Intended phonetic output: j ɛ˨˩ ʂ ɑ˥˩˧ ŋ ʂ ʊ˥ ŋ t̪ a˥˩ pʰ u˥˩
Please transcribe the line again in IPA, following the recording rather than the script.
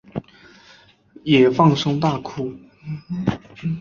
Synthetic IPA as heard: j ɛ˨˩ f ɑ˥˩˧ ŋ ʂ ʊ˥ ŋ t̪ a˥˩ kʰ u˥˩

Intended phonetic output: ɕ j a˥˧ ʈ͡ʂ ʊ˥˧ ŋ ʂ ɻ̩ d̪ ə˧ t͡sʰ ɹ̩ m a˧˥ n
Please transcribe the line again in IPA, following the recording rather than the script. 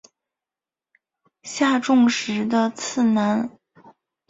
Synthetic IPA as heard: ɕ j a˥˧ ʈ͡ʂ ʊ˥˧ ŋ ʂ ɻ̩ d̪ ə˧ t͡sʰ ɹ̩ n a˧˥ n

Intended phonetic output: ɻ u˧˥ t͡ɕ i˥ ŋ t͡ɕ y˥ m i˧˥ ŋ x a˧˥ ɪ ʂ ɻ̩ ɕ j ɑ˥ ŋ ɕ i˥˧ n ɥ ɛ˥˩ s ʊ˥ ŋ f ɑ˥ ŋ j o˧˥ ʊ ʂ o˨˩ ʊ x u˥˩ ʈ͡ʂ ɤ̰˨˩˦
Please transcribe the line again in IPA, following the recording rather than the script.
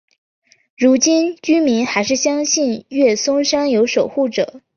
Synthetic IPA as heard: ɻ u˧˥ t͡ɕ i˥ n t͡ɕ y˥ m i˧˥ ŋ x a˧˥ ɪ ʂ ɻ̩ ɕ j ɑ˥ ŋ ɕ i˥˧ n ɥ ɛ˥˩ s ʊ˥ ŋ ʂ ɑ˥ ŋ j o˧˥ ʊ ʂ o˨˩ ʊ x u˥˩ ʈ͡ʂ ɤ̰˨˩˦

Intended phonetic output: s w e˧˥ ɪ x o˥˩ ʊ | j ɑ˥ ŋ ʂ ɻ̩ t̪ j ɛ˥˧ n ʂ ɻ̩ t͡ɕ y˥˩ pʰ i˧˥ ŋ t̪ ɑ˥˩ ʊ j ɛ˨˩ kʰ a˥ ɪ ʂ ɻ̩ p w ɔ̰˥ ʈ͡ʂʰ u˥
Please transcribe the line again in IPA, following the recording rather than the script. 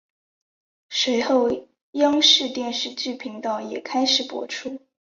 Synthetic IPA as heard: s w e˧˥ ɪ x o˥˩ ʊ | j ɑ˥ ŋ ʂ ɻ̩ t̪ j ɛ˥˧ n ʂ ɻ̩ t͡ɕ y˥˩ pʰ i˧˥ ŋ t̪ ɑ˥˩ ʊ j ɛ˨˩ kʰ a˥ ɪ ʂ ɻ̩ p w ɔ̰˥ ʈ͡ʂʰ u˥

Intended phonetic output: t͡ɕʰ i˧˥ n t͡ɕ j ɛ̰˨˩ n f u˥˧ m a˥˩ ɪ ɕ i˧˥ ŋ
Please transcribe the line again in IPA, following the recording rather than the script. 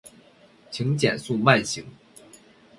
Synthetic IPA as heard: t͡ɕʰ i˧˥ ŋ t͡ɕ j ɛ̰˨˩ n s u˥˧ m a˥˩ ɪ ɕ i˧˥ ŋ

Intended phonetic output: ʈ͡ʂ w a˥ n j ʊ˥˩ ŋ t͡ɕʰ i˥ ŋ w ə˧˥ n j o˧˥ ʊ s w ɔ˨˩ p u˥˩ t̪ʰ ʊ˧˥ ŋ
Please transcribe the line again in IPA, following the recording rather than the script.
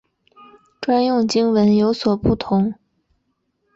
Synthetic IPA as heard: ʈ͡ʂ w a˥ n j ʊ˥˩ ŋ t͡ɕ i˥ ŋ w ə˧˥ n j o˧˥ ʊ s w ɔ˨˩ p u˥˩ t̪ʰ ʊ˧˥ ŋ

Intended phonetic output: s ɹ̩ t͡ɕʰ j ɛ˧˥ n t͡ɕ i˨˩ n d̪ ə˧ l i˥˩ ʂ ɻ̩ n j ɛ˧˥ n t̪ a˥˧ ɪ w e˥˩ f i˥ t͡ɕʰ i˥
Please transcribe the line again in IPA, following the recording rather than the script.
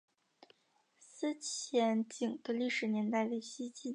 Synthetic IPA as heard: s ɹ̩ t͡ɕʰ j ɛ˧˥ n t͡ɕ i˨˩ ŋ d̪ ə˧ l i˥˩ ʂ ɻ̩ n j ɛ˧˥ n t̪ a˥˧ ɪ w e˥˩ ɕ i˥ t͡ɕ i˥

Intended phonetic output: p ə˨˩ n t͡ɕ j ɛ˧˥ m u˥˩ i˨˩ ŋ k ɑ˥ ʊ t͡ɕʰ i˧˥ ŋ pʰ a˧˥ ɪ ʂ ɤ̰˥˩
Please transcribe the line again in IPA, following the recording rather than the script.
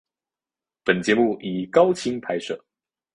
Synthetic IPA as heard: p ə˨˩ n t͡ɕ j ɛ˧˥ m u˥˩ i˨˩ k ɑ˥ ʊ t͡ɕʰ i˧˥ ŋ pʰ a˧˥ ɪ ʂ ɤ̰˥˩

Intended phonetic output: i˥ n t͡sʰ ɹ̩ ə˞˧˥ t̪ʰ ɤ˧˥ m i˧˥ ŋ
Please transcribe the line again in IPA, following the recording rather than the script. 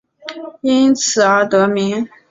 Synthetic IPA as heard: i˥ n t͡sʰ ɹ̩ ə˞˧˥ t̪ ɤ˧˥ m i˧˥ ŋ

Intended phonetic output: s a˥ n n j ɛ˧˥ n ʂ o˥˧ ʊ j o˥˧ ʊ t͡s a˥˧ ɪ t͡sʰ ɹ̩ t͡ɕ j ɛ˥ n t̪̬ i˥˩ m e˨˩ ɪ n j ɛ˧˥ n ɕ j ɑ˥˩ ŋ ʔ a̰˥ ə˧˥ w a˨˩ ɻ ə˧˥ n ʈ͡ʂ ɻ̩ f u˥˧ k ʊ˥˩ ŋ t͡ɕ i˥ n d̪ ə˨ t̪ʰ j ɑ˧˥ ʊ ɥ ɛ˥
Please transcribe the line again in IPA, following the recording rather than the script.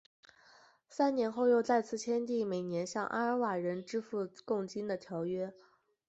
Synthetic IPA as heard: s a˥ n n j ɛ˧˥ n x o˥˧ ʊ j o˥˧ ʊ t͡s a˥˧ ɪ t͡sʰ ɹ̩ t͡ɕʰ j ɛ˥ n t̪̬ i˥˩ m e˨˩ ɪ n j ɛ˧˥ n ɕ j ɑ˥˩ ŋ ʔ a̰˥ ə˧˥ w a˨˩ ɻ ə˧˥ n ʈ͡ʂ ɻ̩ f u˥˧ k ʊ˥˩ ŋ t͡ɕ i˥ n d̪ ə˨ t̪ʰ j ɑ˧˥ ʊ ɥ ɛ˥

